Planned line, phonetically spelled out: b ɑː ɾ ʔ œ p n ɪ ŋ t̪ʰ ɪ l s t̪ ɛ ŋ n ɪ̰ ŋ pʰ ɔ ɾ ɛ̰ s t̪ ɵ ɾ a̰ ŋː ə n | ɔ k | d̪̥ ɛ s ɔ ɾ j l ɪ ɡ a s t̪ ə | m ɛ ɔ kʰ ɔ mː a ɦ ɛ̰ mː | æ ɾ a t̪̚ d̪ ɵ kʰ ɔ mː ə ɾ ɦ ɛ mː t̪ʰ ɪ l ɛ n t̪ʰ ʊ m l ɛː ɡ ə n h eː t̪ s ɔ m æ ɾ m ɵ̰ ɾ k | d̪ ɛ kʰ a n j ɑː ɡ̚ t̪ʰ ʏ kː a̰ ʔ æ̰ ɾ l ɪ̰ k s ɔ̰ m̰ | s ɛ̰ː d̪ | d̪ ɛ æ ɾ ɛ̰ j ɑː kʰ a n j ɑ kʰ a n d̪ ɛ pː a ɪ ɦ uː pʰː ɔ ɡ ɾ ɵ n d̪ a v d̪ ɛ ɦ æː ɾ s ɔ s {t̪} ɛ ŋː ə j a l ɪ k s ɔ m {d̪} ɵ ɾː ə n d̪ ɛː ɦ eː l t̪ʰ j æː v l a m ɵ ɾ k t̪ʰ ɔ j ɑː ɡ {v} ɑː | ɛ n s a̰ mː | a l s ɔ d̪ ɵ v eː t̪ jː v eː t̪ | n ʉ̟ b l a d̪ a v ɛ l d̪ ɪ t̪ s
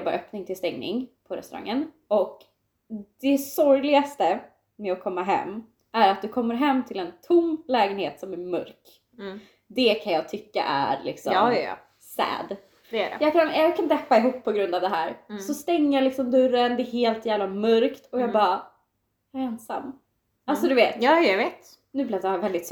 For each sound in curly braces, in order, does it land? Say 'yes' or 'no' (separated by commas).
yes, yes, no